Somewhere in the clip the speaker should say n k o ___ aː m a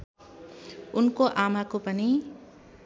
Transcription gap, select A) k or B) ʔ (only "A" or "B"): B